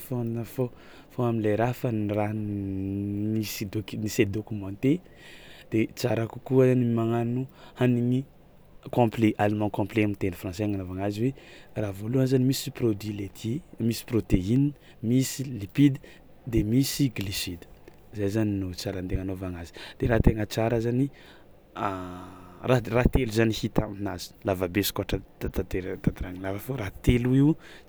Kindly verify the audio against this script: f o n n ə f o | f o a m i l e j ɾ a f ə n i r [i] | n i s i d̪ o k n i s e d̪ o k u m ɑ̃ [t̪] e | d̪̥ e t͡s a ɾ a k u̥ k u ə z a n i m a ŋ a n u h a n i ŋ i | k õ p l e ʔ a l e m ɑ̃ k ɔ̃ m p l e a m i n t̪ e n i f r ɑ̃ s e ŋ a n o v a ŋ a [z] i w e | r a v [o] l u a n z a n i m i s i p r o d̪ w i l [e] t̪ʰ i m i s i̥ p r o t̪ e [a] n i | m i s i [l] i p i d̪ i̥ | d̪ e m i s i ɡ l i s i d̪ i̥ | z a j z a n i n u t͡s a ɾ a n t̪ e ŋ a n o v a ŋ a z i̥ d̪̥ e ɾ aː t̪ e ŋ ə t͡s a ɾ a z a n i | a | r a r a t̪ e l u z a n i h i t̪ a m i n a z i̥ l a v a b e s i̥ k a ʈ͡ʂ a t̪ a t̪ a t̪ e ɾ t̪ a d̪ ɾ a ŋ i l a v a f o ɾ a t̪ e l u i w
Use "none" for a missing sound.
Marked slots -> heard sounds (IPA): a, t̪, z, o, e, i, l

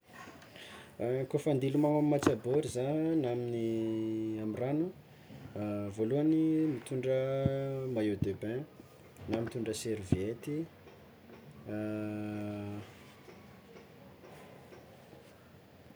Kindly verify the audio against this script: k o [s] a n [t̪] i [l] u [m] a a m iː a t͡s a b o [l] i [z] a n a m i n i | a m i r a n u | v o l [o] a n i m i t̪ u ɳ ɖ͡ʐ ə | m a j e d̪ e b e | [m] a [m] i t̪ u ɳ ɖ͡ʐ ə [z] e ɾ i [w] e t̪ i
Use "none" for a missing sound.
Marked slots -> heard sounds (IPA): f, d̪, l, m, ɾ, z, u, n, m, s, v

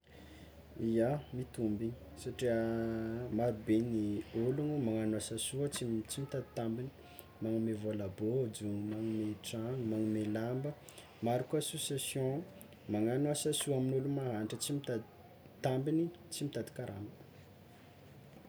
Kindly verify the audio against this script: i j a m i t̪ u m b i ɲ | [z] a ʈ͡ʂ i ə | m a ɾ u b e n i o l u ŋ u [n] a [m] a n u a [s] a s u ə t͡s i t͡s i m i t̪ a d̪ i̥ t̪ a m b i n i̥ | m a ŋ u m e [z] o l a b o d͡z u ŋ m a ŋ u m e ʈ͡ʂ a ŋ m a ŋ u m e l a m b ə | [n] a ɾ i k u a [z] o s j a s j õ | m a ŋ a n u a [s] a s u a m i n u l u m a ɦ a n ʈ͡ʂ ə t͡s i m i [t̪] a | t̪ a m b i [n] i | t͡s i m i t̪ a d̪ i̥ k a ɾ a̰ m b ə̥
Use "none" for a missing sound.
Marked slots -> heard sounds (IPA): s, m, ŋ, s, v, m, s, s, t̪, n

